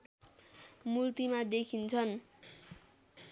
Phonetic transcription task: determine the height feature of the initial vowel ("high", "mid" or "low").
high